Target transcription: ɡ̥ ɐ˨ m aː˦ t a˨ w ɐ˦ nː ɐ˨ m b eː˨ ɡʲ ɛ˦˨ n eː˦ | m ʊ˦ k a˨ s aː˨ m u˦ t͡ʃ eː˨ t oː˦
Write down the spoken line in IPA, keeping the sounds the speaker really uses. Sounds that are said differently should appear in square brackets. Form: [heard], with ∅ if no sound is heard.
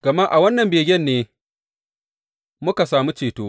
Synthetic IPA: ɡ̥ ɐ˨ m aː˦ [ʔ] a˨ w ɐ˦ nː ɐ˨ m b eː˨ ɡʲ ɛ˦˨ [nː] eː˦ | m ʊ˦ k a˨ s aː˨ m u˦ t͡ʃ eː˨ t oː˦